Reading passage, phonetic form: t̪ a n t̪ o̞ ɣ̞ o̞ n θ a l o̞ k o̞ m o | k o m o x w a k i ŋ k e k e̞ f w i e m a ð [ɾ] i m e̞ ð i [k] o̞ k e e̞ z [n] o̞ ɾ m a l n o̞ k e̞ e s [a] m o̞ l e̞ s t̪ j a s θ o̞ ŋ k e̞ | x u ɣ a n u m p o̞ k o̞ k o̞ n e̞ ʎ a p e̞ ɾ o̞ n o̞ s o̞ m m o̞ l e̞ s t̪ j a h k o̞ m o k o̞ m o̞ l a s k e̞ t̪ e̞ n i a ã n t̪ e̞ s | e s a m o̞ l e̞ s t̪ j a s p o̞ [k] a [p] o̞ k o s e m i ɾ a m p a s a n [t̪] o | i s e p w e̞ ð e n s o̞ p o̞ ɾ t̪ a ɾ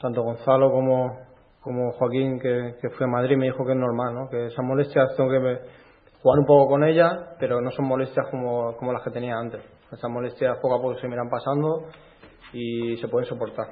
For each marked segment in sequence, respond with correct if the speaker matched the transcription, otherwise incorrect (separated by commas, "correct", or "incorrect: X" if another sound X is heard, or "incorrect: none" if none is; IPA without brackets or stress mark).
correct, incorrect: x, correct, correct, correct, correct, incorrect: d̪